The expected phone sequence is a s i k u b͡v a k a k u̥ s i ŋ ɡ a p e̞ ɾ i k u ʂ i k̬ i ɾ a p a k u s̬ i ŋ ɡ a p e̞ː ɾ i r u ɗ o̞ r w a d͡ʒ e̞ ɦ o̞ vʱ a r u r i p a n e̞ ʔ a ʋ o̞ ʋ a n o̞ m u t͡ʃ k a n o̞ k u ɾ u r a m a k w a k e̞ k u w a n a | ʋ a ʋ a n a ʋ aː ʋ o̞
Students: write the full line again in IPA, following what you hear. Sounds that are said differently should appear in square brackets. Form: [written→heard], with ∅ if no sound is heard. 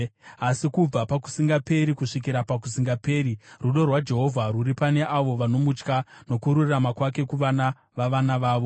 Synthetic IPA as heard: a s i k u b͡v a [k→p] a k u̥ s i ŋ ɡ a p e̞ ɾ i k u ʂ i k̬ i ɾ a p a k u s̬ i ŋ ɡ a p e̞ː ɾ i r u ɗ o̞ r w a d͡ʒ e̞ ɦ o̞ vʱ a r u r i p a n e̞ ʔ a ʋ o̞ ʋ a n o̞ m u t͡ʃ k a n o̞ k u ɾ u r a m a k w a k e̞ k u [w→ʋ] a n a | ʋ a ʋ a n a ʋ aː ʋ o̞